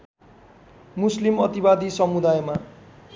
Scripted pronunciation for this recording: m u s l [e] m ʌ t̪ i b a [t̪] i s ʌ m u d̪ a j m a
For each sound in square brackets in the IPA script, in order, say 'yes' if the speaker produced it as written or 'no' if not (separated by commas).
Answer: no, no